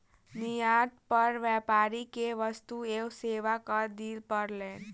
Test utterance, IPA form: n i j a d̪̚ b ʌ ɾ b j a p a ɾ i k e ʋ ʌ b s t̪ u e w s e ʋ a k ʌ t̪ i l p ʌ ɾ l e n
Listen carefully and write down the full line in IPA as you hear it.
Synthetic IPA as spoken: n i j a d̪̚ p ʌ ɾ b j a p a ɾ i k e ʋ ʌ s t̪ u e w s e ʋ a k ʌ d̪ i l p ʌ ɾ l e n